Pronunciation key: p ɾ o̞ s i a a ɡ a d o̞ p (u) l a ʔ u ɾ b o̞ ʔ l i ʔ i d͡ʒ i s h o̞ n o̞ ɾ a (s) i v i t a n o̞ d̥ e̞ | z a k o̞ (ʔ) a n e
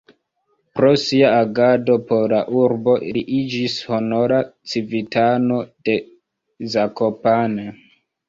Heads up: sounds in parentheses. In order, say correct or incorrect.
incorrect: o, incorrect: t͡s, incorrect: p

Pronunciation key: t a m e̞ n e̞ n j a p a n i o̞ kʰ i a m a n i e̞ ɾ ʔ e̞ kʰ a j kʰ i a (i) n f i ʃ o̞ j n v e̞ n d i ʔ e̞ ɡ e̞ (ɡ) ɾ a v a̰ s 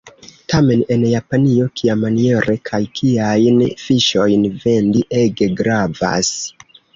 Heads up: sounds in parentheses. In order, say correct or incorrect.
incorrect: j, correct

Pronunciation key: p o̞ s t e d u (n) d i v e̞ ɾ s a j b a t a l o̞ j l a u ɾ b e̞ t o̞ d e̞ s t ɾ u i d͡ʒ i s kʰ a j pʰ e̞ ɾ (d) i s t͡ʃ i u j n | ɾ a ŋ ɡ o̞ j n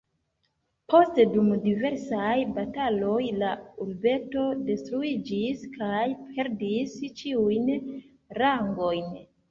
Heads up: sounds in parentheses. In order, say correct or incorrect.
incorrect: m, correct

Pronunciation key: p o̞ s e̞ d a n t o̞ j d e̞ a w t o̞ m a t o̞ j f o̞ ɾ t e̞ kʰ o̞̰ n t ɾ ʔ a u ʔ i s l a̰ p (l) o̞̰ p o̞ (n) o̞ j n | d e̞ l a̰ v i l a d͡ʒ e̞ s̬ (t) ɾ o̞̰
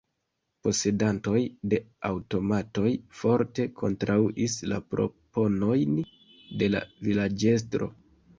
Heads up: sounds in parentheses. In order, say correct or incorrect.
incorrect: ɾ, correct, correct

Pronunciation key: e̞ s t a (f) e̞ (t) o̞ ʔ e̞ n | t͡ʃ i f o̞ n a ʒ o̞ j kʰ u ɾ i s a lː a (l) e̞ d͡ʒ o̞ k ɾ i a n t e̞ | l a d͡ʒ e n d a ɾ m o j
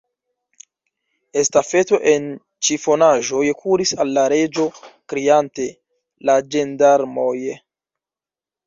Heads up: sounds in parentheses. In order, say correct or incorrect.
correct, correct, incorrect: ɾ

